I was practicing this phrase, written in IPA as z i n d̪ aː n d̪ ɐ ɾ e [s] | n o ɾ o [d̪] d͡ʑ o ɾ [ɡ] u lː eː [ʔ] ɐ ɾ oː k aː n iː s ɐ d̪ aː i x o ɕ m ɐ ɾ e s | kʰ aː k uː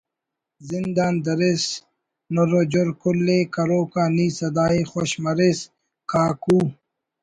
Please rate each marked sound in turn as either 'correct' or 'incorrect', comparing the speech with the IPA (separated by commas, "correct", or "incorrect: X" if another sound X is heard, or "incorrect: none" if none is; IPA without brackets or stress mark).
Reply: correct, incorrect: none, incorrect: k, incorrect: k